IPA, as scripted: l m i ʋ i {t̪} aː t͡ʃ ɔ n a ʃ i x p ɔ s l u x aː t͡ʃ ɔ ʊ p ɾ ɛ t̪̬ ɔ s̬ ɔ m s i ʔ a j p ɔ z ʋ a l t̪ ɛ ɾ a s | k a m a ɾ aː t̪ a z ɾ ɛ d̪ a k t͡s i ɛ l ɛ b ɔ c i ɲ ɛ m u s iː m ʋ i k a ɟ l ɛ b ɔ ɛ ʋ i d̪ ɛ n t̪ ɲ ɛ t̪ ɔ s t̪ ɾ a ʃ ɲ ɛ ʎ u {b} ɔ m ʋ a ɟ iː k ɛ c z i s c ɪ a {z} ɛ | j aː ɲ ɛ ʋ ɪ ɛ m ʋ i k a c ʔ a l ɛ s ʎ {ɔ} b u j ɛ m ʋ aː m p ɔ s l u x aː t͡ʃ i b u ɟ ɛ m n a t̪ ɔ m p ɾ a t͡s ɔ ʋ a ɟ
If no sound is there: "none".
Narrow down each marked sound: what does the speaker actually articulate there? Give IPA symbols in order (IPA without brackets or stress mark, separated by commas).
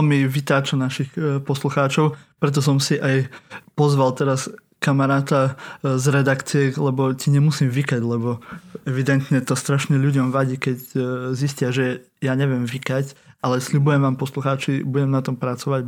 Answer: t̪, ɟ, ʒ, u